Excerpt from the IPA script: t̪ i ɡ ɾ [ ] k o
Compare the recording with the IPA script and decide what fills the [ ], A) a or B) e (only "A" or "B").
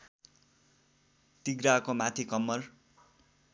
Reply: A